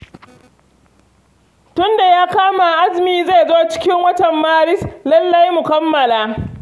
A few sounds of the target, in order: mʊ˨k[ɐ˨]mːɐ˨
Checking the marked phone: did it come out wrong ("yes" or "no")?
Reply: yes